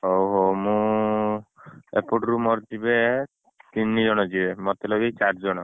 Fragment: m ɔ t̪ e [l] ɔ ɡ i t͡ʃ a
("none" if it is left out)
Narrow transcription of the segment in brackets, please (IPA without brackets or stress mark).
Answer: l